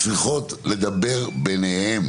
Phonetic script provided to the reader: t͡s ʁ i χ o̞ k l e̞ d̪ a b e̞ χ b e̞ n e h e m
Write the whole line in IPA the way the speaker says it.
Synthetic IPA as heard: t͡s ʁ i χ o̞ t l e̞ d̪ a b e̞ ʁ b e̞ n e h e m